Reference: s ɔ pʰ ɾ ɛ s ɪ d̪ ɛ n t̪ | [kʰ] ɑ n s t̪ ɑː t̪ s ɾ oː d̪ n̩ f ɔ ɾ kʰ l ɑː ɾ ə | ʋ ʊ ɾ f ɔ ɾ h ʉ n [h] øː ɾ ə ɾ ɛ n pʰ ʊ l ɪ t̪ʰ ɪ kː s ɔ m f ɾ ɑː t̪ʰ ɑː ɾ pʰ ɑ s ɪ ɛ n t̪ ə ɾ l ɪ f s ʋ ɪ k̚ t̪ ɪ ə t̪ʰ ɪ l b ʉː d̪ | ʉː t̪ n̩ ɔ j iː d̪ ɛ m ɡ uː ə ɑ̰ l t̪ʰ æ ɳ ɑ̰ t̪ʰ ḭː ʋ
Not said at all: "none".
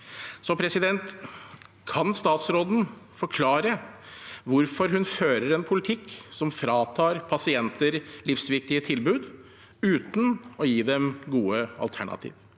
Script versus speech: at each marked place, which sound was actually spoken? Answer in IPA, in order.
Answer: kʰ, f

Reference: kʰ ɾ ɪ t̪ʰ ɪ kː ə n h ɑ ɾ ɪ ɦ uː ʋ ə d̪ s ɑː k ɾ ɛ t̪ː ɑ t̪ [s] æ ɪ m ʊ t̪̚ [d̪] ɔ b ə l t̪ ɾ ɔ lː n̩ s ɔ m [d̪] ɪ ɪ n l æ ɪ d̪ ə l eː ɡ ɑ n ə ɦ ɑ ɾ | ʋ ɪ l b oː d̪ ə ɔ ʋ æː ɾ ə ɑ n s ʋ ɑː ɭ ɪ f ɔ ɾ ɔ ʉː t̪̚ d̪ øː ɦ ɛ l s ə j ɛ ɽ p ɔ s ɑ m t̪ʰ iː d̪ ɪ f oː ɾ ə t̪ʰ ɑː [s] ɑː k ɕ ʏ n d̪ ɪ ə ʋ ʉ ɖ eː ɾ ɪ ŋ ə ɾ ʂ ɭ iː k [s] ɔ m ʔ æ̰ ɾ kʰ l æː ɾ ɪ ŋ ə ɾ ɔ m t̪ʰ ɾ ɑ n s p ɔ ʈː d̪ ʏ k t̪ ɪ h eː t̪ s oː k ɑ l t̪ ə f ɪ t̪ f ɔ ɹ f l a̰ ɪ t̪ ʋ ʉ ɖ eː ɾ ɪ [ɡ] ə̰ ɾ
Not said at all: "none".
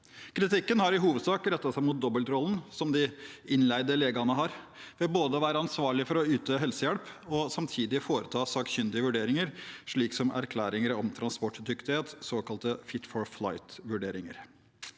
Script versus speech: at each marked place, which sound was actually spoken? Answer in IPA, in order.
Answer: s, d̪, d̪, s, s, ŋ

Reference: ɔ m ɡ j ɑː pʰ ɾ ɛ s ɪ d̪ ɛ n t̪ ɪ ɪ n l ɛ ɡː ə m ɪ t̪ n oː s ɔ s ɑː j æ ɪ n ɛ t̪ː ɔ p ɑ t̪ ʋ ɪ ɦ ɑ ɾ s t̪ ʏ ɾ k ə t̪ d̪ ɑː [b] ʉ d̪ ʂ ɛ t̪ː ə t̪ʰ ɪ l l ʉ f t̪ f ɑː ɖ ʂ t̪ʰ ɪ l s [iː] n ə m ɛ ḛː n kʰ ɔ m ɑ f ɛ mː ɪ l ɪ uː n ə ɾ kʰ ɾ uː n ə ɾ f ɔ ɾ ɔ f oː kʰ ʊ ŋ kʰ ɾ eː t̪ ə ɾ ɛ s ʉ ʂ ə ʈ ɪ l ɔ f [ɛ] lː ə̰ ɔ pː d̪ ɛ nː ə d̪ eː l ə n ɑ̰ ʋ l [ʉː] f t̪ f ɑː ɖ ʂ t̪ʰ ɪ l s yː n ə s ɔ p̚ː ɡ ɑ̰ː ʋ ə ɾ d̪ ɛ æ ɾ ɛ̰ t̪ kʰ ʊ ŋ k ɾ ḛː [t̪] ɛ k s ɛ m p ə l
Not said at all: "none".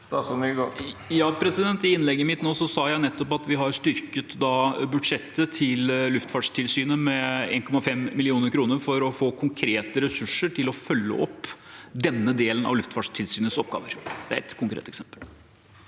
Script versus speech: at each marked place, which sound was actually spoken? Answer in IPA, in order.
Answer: b, yː, œ, ʉ, t̪

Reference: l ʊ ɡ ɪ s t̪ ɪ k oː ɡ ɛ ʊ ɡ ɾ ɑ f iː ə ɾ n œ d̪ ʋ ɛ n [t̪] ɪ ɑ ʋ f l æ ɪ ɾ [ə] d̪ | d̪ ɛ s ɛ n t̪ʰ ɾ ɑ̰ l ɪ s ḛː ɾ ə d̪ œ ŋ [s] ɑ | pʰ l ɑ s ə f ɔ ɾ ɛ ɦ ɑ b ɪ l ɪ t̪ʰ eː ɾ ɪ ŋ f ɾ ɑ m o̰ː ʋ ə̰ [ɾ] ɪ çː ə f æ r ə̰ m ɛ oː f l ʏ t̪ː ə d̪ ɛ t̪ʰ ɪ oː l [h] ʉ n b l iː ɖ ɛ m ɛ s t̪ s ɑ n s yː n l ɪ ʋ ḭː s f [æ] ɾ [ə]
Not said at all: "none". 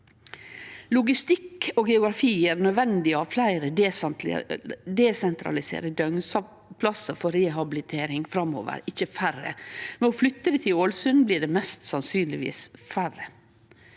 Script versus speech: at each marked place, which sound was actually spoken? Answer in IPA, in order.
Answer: d̪, ə, s, ɾ, s, æ, ə

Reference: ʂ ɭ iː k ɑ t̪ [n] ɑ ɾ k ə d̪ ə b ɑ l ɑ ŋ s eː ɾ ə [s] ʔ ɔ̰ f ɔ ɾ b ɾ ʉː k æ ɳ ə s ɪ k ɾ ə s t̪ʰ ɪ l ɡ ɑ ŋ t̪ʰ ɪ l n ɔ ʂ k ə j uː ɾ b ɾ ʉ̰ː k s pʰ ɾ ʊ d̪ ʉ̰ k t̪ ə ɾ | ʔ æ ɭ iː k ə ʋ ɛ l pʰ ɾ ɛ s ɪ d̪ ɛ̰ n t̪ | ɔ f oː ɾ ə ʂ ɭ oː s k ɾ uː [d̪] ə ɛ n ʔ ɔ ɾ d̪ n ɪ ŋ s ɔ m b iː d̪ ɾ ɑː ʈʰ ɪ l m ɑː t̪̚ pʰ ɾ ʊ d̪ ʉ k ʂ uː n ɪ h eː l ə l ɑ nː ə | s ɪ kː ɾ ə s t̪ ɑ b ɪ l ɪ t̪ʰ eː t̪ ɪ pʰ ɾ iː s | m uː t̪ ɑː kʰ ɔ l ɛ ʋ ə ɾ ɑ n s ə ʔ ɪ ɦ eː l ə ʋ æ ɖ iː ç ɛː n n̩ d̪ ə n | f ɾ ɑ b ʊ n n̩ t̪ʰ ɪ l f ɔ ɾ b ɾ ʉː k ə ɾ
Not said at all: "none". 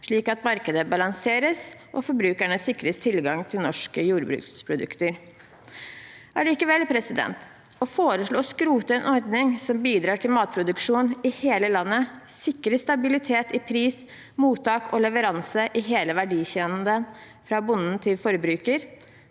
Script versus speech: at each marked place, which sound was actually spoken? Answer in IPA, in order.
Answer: m, s, t̪

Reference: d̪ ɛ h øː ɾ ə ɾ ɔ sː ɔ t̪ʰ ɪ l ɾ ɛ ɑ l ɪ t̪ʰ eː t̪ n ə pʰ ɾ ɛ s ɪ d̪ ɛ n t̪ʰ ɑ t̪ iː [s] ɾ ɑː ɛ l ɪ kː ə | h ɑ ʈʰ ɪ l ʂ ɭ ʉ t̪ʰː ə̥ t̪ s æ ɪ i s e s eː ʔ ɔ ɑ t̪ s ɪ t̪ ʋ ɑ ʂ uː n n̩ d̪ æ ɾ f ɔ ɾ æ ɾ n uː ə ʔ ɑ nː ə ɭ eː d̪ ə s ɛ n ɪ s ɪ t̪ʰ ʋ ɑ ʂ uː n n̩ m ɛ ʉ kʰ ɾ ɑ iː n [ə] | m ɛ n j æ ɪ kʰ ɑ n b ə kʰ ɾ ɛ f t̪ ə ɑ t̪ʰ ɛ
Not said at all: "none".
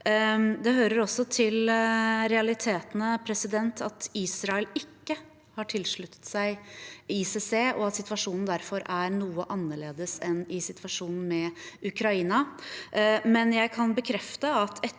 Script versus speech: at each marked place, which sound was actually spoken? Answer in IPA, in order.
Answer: s, ɑ

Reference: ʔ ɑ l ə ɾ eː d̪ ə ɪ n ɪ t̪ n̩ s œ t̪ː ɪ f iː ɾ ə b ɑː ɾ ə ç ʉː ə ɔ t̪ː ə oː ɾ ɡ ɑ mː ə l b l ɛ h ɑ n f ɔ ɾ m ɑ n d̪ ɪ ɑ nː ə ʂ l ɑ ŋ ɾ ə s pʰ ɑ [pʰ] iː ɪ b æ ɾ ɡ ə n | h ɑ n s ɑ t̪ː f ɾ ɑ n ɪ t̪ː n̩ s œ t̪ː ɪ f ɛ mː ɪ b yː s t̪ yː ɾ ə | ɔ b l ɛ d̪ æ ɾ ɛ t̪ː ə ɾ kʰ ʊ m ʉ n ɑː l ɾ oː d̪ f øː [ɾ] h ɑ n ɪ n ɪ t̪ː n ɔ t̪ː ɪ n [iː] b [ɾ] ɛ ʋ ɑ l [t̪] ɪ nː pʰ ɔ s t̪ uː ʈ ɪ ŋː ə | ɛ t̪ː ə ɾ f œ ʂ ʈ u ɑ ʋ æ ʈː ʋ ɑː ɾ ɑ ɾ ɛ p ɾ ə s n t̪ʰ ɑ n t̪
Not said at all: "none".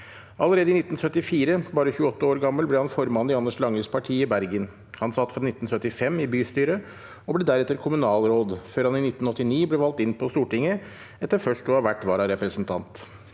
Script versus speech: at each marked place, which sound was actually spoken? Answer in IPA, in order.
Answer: ʈʰ, ɾ, iː, l, t̪

